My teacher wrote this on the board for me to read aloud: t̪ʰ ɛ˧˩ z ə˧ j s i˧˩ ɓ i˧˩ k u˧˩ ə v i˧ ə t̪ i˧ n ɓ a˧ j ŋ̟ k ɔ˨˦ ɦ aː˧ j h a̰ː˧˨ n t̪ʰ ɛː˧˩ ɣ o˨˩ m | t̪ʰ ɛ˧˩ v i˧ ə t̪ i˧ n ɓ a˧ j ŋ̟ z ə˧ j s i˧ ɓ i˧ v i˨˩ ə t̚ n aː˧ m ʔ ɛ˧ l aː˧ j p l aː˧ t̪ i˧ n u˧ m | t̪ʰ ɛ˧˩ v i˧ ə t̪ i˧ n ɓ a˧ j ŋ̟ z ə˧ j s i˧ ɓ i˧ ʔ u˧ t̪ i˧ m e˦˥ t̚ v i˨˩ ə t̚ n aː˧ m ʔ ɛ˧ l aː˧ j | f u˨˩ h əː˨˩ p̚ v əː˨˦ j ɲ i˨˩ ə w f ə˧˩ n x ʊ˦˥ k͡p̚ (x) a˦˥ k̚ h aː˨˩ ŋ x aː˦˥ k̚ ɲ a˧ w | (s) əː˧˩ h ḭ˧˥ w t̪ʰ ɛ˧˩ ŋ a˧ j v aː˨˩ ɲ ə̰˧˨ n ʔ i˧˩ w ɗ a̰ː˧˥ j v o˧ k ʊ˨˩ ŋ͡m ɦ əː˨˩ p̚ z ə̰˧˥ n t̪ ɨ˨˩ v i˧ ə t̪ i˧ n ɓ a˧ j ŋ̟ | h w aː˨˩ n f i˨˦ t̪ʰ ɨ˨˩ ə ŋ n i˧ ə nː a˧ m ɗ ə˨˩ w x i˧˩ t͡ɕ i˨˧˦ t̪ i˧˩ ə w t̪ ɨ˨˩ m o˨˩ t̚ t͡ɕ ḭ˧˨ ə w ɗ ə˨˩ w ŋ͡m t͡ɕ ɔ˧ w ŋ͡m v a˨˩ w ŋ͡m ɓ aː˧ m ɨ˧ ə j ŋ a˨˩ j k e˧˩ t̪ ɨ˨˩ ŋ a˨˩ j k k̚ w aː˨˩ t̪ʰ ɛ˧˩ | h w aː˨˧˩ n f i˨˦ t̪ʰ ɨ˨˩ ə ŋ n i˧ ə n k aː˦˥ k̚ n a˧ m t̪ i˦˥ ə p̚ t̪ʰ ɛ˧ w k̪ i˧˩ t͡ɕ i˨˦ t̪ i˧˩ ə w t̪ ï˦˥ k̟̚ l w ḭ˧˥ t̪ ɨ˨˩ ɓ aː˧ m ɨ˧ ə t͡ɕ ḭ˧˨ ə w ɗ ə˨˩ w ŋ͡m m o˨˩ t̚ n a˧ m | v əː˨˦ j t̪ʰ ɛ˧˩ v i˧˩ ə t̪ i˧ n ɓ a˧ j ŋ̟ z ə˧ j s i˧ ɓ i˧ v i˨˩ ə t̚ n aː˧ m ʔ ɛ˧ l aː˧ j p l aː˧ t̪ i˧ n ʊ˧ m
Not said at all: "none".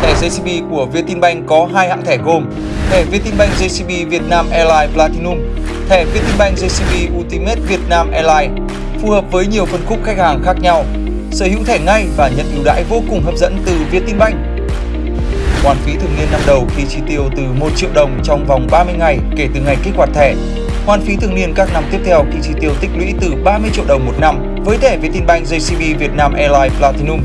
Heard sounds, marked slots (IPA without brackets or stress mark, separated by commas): x, s